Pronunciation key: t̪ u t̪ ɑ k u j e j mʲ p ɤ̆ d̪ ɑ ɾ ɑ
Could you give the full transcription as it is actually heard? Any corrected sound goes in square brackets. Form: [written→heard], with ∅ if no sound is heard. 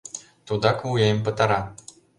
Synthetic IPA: t̪ u [t̪→d̪] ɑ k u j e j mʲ p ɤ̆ [d̪→t̪] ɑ ɾ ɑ